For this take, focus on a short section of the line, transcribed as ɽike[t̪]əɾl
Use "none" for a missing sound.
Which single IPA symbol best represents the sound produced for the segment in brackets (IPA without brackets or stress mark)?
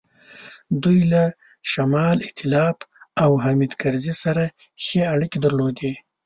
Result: d̪